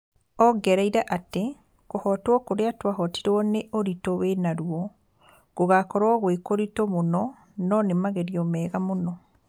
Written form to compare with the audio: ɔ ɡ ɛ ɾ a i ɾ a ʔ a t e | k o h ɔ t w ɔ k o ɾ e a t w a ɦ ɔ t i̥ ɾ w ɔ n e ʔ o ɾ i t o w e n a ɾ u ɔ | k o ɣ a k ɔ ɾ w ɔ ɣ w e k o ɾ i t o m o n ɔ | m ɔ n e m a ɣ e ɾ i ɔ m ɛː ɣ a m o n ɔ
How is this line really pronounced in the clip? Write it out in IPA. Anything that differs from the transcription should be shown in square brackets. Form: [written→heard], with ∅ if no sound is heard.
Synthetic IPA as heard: ɔ ɡ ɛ ɾ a i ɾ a ʔ a t e | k o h ɔ t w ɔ k o ɾ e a t w a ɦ ɔ t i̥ ɾ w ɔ n e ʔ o ɾ i t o w e n a ɾ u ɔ | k o ɣ a k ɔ ɾ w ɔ ɣ w e k o ɾ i t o m o n ɔ | [m→n] ɔ n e m a ɣ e ɾ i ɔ m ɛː ɣ a m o n ɔ